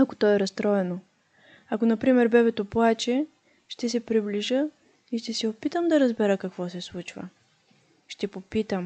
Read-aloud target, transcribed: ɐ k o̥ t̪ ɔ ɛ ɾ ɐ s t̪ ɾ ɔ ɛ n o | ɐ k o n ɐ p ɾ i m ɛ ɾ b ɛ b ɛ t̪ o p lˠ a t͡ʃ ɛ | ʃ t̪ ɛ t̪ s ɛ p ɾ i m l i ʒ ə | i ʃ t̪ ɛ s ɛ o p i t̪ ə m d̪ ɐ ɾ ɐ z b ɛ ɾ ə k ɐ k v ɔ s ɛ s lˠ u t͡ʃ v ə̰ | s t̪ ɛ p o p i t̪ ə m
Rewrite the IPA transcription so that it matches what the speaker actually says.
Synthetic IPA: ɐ k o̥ t̪ ɔ ɛ ɾ ɐ s t̪ ɾ ɔ ɛ n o | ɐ k o n ɐ p ɾ i m ɛ ɾ b ɛ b ɛ t̪ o p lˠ a t͡ʃ ɛ | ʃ t̪ ɛ s ɛ p ɾ i b l i ʒ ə | i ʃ t̪ ɛ s ɛ o p i t̪ ə m d̪ ɐ ɾ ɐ z b ɛ ɾ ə k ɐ k v ɔ s ɛ s lˠ u t͡ʃ v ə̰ | ʃ t̪ ɛ p o p i t̪ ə m